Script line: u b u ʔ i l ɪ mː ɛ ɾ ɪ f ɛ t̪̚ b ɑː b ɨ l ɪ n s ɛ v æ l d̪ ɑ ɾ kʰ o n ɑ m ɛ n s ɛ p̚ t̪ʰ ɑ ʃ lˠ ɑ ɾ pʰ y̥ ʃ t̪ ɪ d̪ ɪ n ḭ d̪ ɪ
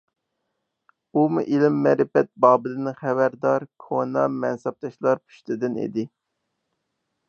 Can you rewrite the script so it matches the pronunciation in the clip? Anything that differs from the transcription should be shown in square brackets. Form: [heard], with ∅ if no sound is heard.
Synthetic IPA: u [m] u ʔ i l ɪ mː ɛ ɾ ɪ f ɛ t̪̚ b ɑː b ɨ l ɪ n [χ] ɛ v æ [ɾ] d̪ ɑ ɾ kʰ o n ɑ m ɛ n s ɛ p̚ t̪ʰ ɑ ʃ lˠ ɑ ɾ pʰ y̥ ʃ t̪ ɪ d̪ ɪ n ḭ d̪ ɪ